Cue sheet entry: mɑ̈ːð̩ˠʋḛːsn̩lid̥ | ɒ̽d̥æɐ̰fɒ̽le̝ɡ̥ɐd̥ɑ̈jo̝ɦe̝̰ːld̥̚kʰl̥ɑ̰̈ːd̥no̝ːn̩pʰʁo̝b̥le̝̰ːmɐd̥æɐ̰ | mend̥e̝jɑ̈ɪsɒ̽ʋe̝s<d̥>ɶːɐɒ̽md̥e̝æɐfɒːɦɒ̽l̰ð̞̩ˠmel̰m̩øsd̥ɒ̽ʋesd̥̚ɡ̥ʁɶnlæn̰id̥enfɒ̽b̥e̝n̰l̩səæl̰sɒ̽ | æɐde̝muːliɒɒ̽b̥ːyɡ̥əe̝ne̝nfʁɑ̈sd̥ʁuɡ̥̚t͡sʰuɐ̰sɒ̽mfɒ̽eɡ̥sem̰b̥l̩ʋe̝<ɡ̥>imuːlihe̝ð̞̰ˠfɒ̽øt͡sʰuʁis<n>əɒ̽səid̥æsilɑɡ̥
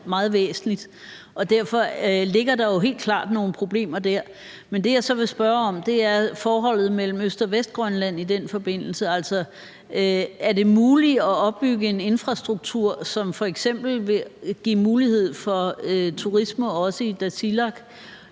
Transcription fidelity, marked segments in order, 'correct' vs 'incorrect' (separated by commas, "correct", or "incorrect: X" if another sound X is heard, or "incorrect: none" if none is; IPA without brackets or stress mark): incorrect: b̥, correct, incorrect: m